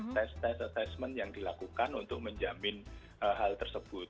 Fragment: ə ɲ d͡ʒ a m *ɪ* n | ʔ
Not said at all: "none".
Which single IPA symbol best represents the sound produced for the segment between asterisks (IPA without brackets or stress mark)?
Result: ɪ